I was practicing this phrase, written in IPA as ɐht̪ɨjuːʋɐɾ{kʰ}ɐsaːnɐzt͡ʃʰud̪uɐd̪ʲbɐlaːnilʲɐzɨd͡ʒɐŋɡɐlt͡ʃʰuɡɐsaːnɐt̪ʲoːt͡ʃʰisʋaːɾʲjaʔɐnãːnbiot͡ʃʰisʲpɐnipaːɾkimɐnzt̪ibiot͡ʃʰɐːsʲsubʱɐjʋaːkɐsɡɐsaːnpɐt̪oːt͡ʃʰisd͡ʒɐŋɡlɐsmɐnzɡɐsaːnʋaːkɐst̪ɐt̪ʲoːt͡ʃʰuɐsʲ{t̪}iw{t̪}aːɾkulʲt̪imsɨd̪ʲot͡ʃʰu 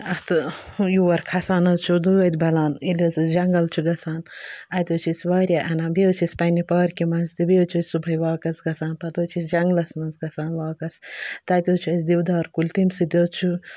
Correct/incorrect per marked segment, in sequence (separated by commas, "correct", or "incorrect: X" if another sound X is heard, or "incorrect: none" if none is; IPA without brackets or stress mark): correct, incorrect: d̪, incorrect: d̪